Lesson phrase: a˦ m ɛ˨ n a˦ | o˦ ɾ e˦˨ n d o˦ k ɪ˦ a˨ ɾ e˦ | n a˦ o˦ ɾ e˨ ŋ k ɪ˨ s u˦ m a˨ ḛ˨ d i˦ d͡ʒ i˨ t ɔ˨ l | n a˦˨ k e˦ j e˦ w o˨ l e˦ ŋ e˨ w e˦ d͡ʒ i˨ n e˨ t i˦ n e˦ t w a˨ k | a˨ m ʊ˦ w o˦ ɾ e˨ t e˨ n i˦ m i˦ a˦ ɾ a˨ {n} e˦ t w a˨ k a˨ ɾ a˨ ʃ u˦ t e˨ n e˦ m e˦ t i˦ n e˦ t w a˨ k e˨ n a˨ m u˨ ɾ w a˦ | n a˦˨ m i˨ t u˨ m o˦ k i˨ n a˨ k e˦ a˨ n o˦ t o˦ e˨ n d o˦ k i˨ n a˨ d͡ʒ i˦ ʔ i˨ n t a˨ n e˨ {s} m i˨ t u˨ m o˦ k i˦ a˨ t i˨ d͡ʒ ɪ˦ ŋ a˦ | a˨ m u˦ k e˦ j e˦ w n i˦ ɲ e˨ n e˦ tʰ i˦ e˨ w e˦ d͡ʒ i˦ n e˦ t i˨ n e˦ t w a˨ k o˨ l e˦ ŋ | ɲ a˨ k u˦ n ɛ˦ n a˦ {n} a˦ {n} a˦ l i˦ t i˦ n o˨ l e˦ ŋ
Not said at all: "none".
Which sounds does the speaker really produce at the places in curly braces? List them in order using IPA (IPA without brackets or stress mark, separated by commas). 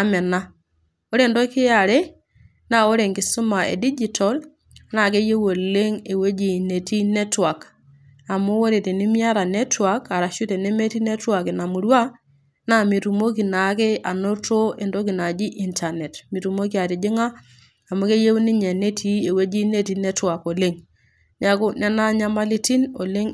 n, t, ɲ, m